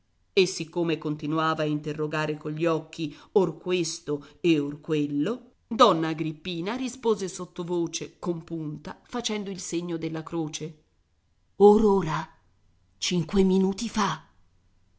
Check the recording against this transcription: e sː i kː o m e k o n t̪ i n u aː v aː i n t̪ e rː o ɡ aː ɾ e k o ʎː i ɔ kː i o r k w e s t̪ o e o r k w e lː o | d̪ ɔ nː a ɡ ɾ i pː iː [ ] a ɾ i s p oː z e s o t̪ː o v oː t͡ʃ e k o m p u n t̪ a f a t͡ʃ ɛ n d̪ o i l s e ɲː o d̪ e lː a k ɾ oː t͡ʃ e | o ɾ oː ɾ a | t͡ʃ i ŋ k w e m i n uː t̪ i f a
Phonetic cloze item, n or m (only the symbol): n